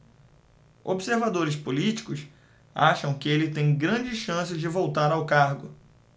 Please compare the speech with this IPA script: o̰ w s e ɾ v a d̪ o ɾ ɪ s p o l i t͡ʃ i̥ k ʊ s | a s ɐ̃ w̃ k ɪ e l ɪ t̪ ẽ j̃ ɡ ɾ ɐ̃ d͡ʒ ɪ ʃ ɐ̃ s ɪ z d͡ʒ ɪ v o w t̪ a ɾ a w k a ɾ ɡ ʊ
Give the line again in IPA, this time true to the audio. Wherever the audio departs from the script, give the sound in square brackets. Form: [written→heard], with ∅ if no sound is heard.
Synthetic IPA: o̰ [w→b] s e ɾ v a d̪ o ɾ ɪ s p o l i t͡ʃ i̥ k ʊ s | a [s→ʃ] ɐ̃ w̃ k ɪ e l ɪ t̪ ẽ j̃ ɡ ɾ ɐ̃ d͡ʒ ɪ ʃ ɐ̃ s ɪ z d͡ʒ ɪ v o w t̪ a ɾ a w k a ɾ ɡ ʊ